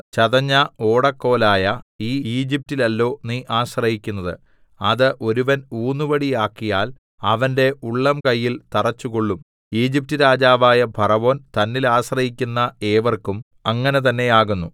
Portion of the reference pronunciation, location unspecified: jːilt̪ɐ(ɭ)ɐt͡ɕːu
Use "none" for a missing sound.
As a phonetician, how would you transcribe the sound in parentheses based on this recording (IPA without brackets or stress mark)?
r